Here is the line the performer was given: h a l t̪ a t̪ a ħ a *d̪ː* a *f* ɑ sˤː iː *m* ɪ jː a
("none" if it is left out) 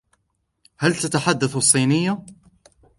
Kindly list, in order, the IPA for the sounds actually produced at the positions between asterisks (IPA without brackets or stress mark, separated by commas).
d̪ː, θ, n